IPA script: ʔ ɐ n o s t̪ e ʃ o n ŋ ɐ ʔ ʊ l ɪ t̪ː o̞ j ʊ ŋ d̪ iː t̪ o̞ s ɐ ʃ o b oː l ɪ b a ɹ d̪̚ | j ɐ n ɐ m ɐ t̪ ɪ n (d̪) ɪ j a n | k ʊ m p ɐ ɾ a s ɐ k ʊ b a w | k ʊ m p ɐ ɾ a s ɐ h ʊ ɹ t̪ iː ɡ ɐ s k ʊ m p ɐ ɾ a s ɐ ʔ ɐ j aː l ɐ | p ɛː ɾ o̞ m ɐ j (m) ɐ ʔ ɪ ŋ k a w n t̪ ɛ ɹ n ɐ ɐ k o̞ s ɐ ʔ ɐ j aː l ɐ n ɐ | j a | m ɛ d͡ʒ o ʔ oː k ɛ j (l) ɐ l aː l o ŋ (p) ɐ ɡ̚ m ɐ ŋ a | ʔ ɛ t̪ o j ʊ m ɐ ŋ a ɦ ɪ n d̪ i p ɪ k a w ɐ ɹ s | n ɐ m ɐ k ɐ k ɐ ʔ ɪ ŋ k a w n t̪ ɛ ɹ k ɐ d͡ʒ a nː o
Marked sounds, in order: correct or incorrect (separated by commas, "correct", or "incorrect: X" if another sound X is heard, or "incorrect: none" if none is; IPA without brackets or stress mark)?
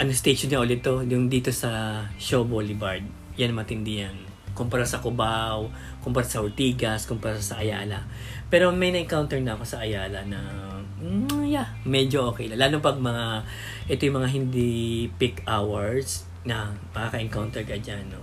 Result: correct, incorrect: n, correct, correct